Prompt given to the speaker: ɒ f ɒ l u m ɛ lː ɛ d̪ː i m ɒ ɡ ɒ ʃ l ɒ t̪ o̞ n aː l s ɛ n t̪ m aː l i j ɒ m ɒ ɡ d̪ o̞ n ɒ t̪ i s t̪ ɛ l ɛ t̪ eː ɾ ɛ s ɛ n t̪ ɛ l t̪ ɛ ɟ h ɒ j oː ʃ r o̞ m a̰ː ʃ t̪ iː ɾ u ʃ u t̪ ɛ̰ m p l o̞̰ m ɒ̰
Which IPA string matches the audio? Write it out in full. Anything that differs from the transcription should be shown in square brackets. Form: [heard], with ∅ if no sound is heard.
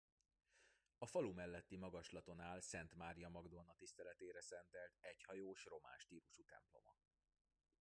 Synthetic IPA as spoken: ɒ f ɒ l u m ɛ lː ɛ [t̪ː] i m ɒ ɡ ɒ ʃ l ɒ t̪ o̞ n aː l s ɛ n t̪ m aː [ɾ] i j ɒ m ɒ ɡ d̪ o̞ n ɒ t̪ i s t̪ ɛ l ɛ t̪ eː ɾ ɛ s ɛ n t̪ ɛ l t̪ ɛ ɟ h ɒ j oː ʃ r o̞ m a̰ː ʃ t̪ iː ɾ u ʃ u t̪ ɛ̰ m p l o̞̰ m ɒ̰